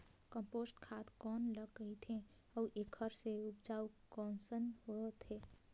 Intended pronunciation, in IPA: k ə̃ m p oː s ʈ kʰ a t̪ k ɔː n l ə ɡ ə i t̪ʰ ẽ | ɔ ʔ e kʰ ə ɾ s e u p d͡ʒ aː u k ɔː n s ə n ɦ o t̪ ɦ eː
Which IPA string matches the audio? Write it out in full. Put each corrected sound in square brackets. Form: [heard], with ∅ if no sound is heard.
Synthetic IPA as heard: k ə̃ m p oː s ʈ kʰ a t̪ k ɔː n l ə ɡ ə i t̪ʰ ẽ | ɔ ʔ e kʰ ə ɾ s e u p d͡ʒ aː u k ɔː n s ə n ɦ o t̪ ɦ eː